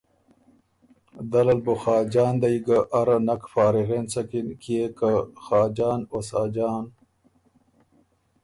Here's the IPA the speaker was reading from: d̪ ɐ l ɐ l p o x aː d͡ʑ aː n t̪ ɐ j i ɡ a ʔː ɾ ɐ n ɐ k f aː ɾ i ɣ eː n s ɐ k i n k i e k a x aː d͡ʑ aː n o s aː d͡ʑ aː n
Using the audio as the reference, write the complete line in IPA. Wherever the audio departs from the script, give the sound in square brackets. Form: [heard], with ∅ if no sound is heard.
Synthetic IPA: d̪ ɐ l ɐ l [b] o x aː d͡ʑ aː n [d̪] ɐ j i ɡ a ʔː ɾ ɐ n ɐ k f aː ɾ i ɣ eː n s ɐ k i n k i e k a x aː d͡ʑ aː n o s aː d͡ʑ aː n

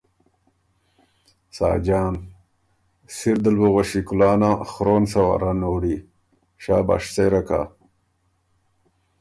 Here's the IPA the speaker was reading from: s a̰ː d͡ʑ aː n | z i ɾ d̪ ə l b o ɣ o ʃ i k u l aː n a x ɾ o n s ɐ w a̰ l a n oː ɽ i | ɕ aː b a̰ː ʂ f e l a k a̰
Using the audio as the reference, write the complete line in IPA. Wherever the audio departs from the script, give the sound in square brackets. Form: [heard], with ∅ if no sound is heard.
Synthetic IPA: s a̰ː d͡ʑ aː n | [s] i ɾ d̪ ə l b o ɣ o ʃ i k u l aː n a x ɾ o n s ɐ w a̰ [ɾ] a n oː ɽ i | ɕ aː b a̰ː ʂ [s] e [ɾ] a k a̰

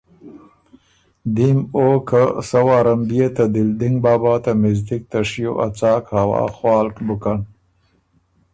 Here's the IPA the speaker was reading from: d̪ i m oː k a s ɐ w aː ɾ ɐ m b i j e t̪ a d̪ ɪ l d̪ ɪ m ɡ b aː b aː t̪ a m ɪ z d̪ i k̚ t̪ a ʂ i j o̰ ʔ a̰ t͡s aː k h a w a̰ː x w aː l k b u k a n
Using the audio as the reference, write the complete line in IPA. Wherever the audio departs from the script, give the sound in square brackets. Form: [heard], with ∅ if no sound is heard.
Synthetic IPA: d̪ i m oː k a s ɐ w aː ɾ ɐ m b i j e t̪ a d̪ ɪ l d̪ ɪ [ŋ] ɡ b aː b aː t̪ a m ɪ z d̪ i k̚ t̪ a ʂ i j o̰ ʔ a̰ t͡s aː k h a w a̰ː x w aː l k b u k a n

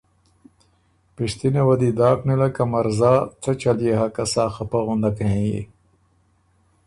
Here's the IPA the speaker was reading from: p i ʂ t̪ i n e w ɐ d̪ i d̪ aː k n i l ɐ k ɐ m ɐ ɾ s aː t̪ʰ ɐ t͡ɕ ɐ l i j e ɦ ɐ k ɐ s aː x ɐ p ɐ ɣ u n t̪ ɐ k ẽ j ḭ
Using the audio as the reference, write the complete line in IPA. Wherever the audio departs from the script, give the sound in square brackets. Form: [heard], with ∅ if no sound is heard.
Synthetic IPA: p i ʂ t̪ i n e w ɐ d̪ i d̪ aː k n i l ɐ k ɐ m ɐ ɾ [z] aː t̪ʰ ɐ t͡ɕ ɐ l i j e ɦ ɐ k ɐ s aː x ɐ p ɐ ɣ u n [d̪] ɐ k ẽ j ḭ

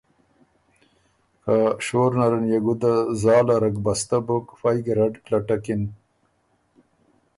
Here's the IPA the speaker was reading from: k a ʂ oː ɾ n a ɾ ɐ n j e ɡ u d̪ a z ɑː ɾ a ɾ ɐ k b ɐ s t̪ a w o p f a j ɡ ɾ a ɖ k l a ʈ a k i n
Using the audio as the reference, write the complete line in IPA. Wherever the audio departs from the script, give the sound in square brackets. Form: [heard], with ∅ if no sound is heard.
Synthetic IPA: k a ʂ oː ɾ n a ɾ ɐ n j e ɡ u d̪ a z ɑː [l] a ɾ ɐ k b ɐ s t̪ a [b] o [k] f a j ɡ ɾ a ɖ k l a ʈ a k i n

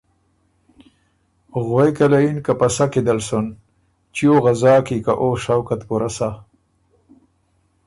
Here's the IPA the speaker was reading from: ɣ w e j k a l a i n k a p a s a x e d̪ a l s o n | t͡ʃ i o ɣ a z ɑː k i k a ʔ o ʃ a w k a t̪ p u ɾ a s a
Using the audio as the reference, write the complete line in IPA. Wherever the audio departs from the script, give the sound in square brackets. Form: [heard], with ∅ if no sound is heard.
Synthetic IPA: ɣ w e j k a l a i n k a p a s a [k] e d̪ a l s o n | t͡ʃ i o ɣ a z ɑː k i k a ʔ o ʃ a w k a t̪ p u ɾ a s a

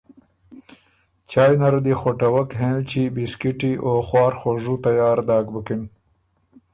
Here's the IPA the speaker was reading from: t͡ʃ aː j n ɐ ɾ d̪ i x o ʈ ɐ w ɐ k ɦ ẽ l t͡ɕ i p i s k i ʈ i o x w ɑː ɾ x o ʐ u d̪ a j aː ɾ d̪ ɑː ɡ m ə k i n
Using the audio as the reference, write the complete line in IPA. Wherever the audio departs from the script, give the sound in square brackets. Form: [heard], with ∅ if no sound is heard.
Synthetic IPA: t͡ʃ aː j n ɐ ɾ d̪ i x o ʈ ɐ w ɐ k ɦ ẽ l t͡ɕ i [b] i s k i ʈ i o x w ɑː ɾ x o ʐ u [t̪] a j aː ɾ d̪ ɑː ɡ [b] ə k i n

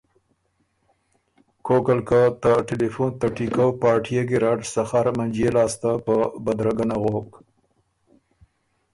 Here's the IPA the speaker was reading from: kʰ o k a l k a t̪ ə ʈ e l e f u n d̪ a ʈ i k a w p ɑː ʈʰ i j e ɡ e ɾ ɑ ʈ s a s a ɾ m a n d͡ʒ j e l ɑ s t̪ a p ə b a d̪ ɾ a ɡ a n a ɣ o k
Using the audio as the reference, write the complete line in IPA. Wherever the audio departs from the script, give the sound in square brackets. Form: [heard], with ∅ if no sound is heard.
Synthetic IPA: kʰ o k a l k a t̪ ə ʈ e l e f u n [t̪] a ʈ i k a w p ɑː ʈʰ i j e ɡ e ɾ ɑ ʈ s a [x] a ɾ m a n d͡ʒ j e l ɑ s t̪ a p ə b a d̪ ɾ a ɡ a n a ɣ o k

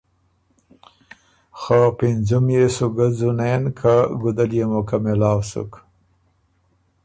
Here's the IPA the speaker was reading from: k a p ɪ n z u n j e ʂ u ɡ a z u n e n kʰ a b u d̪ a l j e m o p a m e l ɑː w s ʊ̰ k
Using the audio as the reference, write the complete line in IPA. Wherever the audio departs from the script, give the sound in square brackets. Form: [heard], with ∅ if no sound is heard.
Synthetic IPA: [x] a p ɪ n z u [m] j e [s] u ɡ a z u n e n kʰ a [ɡ] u d̪ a l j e m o [k] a m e l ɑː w s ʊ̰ k

